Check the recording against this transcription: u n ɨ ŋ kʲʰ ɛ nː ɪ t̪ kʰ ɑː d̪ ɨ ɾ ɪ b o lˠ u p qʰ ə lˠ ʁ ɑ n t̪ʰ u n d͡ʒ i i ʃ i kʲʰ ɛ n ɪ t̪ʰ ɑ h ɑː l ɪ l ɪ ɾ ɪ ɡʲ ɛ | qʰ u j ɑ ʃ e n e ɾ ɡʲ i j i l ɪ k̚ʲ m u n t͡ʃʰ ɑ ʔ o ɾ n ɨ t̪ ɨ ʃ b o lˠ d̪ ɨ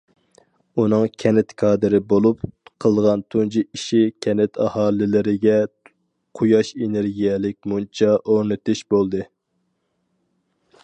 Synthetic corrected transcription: u n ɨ ŋ kʲʰ ɛ n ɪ t̪ kʰ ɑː d̪ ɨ ɾ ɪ b o lˠ u p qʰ ə lˠ ʁ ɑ n t̪ʰ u n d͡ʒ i i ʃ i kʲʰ ɛ n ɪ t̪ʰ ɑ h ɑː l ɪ l ɪ ɾ ɪ ɡʲ ɛ | qʰ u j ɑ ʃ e n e ɾ ɡʲ i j ɛ l ɪ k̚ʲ m u n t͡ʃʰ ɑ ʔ o ɾ n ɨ t̪ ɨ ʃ b o lˠ d̪ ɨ

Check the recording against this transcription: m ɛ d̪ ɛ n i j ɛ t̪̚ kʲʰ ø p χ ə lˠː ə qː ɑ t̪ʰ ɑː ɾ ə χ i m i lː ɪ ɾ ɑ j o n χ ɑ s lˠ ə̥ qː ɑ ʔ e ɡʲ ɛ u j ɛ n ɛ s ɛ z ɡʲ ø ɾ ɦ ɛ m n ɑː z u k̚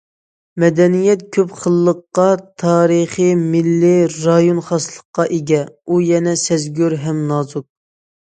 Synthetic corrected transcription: m ɛ d̪ ɛ n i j ɛ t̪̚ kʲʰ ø p χ ə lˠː ə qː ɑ t̪ʰ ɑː ɾ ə χ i m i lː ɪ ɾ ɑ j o n χ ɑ s lˠ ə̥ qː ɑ ʔ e ɡʲ ɛ u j ɛ n ɛ s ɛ z ɡʲ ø ɾ ɦ ɛ m n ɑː z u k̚

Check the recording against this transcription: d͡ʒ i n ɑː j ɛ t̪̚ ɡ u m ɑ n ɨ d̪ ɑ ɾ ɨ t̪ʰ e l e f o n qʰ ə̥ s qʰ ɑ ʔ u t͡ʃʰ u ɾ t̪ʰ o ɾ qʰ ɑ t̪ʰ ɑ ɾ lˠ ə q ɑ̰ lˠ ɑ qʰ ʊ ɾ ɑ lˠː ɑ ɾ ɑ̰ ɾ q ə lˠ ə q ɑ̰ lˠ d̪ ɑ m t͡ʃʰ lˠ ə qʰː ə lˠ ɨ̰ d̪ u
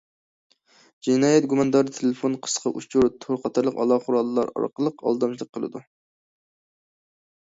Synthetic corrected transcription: d͡ʒ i n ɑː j ɛ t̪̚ ɡ u m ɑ n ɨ d̪ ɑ ɾ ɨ t̪ʰ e l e f o n qʰ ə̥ s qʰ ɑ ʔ u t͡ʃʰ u ɾ t̪ʰ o ɾ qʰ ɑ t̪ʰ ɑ ɾ lˠ ə q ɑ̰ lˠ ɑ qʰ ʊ ɾ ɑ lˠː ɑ ɾ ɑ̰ ɾ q ə lˠ ə q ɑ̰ lˠ d̪ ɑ m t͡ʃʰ lˠ ə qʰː ə lˠ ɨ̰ d̪ u

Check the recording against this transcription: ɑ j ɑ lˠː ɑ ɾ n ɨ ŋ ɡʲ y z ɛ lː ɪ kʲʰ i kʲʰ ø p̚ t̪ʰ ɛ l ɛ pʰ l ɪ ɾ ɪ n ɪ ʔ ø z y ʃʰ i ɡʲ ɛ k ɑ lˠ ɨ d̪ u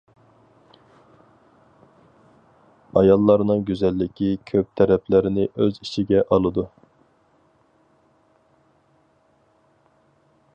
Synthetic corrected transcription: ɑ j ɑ lˠː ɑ ɾ n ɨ ŋ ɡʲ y z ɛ lː ɪ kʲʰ i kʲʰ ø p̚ t̪ʰ ɛ ɾ ɛ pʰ l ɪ ɾ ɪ n ɪ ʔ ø z i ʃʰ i ɡʲ ɛ ʔ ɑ lˠ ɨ d̪ u

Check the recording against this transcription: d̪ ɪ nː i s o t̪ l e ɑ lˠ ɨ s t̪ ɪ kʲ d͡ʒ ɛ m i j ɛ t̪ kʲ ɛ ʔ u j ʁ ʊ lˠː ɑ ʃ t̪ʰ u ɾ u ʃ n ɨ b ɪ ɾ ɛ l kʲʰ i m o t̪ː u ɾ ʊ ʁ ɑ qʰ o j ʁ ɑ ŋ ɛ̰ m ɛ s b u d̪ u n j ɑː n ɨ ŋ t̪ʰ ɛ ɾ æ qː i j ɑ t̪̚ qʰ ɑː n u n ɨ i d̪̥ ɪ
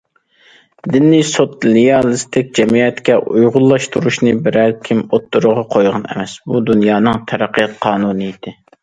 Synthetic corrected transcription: d̪ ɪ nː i s o t̪ l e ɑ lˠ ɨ s t̪ ɪ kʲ d͡ʒ ɛ m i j ɛ t̪ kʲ ɛ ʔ u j ʁ ʊ lˠː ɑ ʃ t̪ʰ u ɾ u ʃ n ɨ b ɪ ɾ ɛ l kʲʰ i m o t̪ː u ɾ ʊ ʁ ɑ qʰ o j ʁ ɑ n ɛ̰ m ɛ s b u d̪ u n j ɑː n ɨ ŋ t̪ʰ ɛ ɾ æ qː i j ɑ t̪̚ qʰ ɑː n u n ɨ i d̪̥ ɪ

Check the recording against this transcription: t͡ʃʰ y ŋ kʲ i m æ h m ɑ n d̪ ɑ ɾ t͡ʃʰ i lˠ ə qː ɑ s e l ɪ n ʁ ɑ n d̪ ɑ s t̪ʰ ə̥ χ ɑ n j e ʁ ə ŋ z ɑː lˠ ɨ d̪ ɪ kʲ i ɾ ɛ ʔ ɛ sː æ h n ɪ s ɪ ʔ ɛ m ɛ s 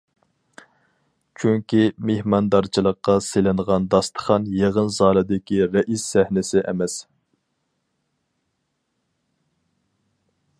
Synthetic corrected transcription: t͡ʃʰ y ŋ kʲ i m e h m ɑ n d̪ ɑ ɾ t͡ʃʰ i lˠ ə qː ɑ s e l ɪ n ʁ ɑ n d̪ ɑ s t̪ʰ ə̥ χ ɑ n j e ʁ ə n z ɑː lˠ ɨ d̪ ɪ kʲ i ɾ ɛ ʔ i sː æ h n ɪ s ɪ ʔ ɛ m ɛ s

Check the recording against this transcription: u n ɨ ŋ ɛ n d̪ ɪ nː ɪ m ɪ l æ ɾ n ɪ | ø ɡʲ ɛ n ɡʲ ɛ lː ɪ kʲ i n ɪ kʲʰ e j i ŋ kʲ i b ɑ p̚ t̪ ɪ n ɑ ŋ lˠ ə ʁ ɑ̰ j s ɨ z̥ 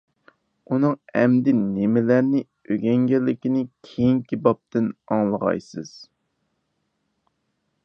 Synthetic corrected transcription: u n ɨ ŋ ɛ m d̪ ɪ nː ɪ m ɪ l æ ɾ n ɪ | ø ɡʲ ɛ ŋ ɡʲ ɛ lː ɪ kʲ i n ɪ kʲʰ e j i ŋ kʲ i b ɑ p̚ t̪ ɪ n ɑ ŋ lˠ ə ʁ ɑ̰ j s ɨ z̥

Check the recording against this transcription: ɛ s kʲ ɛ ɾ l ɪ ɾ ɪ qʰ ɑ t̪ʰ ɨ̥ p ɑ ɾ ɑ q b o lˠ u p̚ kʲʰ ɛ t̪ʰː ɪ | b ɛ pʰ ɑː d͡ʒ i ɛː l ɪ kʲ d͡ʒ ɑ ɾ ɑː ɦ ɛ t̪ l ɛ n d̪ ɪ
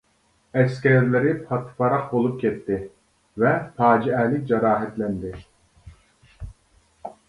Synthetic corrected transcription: ɛ s kʲ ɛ ɾ l ɪ ɾ ɪ pʰ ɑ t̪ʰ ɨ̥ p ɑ ɾ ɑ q b o lˠ u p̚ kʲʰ ɛ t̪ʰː ɪ | v ɛ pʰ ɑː d͡ʒ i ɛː l ɪ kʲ d͡ʒ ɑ ɾ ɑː ɦ ɛ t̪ l ɛ n d̪ ɪ

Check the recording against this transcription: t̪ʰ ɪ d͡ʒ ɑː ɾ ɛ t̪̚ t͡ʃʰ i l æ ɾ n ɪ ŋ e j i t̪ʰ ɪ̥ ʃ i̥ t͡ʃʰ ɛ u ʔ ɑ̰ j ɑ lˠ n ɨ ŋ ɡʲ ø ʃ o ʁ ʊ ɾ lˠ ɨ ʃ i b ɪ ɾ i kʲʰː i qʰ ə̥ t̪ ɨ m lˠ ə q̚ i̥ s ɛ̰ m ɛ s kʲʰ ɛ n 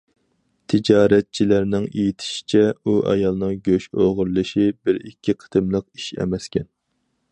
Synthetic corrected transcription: t̪ʰ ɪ d͡ʒ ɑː ɾ ɛ t̪̚ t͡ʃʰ i l æ ɾ n ɪ ŋ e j i t̪ʰ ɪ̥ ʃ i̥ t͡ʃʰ ɛ u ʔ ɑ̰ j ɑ lˠ n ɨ ŋ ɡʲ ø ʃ o ʁ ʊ ɾ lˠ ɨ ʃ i b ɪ ɾ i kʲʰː i qʰ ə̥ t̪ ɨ m lˠ ə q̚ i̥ ʃ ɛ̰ m ɛ s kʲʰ ɛ n

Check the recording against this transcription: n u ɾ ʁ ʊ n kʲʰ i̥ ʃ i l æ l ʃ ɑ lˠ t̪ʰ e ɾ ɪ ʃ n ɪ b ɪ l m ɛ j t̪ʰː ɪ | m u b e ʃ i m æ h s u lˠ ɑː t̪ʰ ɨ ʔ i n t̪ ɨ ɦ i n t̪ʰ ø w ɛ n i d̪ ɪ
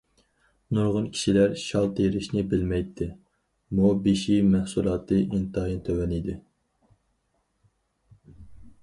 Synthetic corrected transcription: n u ɾ ʁ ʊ n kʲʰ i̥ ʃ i l æ ɾ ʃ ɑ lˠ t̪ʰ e ɾ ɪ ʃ n ɪ b ɪ l m ɛ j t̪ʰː ɪ | m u b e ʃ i m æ h s u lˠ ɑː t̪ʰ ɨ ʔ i n t̪ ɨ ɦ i n t̪ʰ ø w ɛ n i d̪ ɪ

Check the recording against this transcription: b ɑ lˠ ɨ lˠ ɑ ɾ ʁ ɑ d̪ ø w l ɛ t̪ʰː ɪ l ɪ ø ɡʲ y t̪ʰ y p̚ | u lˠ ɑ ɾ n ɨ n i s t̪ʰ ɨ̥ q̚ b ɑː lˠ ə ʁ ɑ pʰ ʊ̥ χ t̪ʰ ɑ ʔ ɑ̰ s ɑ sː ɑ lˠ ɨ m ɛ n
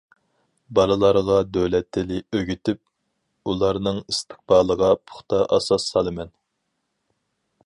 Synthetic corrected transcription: b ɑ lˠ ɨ lˠ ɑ ɾ ʁ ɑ d̪ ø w l ɛ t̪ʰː ɪ l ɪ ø ɡʲ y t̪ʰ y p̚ | u lˠ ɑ ɾ n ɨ ŋ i s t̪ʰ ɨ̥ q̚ b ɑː lˠ ə ʁ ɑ pʰ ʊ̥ χ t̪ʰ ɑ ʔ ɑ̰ s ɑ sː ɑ lˠ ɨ m ɛ n

